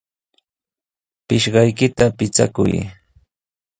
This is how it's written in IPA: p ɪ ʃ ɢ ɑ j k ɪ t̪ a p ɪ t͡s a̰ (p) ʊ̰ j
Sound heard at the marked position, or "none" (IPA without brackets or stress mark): k